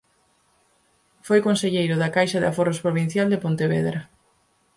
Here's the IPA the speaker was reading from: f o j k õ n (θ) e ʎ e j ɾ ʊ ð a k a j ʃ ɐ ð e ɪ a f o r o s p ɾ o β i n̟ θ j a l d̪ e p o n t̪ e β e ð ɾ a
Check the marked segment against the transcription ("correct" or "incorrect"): incorrect